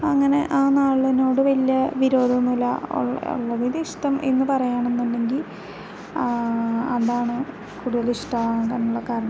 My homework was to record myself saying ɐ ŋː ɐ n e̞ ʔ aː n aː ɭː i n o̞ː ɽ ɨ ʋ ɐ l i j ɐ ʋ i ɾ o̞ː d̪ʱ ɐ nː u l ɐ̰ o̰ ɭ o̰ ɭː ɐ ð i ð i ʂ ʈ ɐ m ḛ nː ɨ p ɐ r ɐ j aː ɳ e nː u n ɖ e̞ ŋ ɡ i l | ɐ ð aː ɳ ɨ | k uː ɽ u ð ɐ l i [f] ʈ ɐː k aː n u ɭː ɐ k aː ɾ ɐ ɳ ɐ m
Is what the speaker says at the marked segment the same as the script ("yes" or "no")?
no